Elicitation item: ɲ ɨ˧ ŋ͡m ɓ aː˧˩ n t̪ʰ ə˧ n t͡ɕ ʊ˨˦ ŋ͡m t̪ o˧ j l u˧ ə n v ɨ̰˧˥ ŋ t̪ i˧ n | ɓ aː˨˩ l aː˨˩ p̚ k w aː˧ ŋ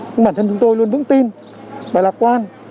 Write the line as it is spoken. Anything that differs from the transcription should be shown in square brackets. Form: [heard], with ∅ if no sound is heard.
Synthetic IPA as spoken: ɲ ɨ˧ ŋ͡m ɓ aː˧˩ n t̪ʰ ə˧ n t͡ɕ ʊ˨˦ ŋ͡m t̪ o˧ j l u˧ ə n v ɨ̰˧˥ ŋ t̪ i˧ n | ɓ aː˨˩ l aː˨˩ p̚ k w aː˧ [n]

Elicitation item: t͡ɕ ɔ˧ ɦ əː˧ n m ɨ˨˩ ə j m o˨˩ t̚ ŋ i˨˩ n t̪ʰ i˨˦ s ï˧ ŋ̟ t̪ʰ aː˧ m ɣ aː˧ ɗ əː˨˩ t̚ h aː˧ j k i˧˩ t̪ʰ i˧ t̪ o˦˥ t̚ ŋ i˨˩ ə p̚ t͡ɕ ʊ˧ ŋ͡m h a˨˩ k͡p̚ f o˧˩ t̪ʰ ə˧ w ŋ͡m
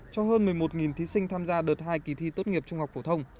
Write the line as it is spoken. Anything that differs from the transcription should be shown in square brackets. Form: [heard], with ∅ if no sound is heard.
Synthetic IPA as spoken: t͡ɕ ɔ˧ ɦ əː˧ n m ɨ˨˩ ə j m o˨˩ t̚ ŋ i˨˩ n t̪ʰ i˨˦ s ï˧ ŋ̟ t̪ʰ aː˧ m [z] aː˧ ɗ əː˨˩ t̚ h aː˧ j k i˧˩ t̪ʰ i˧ t̪ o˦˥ t̚ ŋ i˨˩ ə p̚ t͡ɕ ʊ˧ ŋ͡m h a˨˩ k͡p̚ f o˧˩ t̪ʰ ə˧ w ŋ͡m

